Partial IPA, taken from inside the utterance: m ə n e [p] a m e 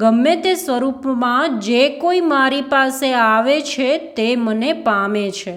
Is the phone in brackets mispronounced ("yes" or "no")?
no